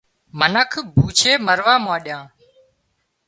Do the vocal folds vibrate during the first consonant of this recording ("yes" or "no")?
yes